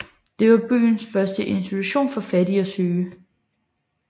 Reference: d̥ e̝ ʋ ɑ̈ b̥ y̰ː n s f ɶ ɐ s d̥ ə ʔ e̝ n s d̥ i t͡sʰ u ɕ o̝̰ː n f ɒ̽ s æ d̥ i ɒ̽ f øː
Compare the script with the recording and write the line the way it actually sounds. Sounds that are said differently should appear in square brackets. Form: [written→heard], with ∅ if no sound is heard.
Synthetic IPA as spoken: d̥ e̝ ʋ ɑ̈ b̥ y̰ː n s f ɶ ɐ s d̥ ə ʔ e̝ n s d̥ i t͡sʰ u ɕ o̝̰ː n f ɒ̽ [s→f] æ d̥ i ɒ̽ [f→s] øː